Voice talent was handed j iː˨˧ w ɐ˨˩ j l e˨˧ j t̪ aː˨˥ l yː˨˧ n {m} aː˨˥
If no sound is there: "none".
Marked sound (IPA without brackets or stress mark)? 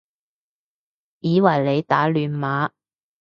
m